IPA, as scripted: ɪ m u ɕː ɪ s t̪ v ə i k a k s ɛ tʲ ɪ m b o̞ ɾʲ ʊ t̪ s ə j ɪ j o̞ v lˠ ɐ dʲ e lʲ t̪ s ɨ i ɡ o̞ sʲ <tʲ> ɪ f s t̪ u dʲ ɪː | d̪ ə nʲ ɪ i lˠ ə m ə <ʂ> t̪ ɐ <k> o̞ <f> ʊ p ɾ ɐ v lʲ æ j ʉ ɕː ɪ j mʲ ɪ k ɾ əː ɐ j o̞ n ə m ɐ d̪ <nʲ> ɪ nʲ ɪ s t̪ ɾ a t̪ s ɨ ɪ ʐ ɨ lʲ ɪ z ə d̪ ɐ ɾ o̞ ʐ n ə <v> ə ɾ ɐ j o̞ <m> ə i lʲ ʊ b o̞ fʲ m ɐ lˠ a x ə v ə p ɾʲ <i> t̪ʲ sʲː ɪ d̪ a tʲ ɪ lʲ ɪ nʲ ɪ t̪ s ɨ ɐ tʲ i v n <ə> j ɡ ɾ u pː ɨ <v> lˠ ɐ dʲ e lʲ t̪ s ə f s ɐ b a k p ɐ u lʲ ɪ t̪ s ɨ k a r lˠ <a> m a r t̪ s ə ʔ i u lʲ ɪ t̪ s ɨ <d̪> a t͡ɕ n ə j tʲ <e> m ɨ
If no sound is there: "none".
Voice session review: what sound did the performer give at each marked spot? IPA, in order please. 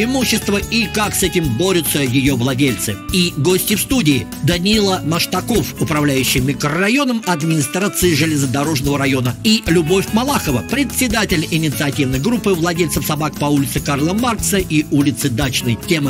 tʲ, ʂ, k, f, mʲ, v, n, ɪ, ə, v, ə, d̪, e

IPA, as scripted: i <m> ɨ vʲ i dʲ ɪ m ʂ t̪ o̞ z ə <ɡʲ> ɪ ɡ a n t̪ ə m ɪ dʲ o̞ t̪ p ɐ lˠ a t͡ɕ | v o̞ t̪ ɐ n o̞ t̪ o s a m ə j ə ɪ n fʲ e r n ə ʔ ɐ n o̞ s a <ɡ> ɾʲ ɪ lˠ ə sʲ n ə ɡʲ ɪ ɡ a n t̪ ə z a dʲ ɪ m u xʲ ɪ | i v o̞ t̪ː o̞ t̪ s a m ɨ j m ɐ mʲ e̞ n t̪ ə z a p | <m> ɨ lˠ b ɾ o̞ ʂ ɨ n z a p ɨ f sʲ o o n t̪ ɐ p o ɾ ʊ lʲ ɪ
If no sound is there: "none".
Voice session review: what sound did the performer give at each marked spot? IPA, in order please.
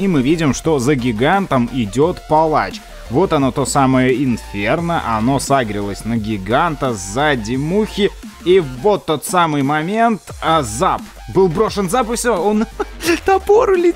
m, ɡʲ, ɡ, b

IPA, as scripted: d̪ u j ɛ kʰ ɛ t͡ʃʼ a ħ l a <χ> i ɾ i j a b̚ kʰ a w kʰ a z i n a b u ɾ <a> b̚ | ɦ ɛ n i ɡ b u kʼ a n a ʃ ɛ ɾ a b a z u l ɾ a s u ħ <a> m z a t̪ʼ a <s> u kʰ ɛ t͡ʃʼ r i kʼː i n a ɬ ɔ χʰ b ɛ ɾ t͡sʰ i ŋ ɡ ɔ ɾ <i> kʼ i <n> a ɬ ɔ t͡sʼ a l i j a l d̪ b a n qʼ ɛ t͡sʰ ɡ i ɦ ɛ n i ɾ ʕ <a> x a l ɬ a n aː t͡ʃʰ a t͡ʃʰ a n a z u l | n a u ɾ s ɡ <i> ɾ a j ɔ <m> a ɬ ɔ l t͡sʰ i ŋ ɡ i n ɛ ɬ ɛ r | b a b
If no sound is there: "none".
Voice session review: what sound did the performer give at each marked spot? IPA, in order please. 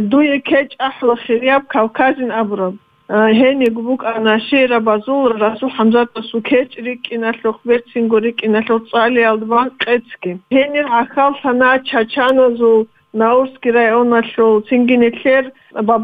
χ, a, a, s, i, n, a, i, n

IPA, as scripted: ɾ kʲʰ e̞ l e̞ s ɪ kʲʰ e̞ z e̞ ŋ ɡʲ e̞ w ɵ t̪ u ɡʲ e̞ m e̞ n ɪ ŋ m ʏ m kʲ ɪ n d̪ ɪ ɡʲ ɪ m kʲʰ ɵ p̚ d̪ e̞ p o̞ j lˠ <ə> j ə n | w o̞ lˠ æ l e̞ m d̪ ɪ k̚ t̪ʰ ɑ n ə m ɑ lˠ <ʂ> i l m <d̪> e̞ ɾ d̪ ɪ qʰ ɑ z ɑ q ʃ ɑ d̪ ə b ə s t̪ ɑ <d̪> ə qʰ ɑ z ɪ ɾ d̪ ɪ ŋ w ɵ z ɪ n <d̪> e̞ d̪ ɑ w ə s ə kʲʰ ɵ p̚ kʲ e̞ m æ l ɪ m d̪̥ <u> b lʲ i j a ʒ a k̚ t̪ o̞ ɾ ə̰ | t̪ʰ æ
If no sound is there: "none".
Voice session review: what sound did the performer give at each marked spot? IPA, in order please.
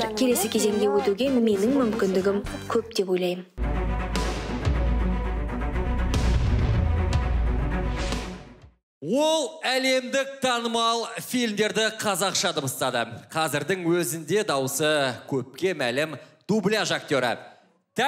ɑ, f, d̪, d̪, d̪, u

